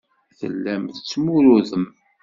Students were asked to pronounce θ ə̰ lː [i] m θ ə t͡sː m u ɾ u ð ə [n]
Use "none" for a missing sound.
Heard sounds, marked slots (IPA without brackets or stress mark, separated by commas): æ, m